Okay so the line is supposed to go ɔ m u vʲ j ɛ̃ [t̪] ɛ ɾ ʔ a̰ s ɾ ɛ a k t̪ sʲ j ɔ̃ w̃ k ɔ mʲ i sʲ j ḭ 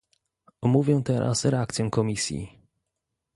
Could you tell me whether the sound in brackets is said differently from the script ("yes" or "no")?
no